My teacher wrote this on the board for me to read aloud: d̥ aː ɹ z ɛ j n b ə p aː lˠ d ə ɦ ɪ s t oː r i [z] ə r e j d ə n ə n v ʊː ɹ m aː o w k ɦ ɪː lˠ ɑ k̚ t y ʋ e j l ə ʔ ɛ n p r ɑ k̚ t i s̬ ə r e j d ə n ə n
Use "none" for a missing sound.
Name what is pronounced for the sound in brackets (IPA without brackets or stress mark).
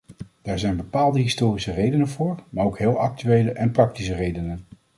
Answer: s